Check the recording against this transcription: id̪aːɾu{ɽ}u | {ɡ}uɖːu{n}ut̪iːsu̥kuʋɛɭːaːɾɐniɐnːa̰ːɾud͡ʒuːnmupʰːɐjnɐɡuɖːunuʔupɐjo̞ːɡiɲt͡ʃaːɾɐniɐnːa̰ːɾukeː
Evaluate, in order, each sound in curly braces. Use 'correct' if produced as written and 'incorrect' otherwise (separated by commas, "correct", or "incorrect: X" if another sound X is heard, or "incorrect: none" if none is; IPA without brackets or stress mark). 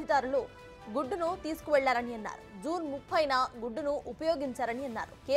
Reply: incorrect: l, correct, correct